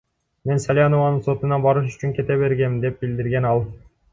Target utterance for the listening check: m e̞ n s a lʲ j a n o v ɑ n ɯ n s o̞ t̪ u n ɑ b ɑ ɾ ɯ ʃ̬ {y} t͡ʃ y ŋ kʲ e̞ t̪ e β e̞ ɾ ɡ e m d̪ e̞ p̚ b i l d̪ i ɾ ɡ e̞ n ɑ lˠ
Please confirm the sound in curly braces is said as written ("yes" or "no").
yes